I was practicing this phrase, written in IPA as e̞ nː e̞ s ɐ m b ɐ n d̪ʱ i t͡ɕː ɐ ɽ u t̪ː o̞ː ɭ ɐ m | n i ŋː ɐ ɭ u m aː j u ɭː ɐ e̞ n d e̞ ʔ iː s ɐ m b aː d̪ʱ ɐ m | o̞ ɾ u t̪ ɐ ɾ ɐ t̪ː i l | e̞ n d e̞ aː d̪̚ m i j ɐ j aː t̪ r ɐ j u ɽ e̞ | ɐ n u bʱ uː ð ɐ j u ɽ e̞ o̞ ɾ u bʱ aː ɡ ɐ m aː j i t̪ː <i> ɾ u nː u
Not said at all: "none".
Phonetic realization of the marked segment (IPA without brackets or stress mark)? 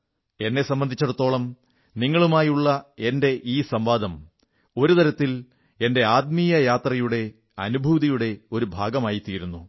iː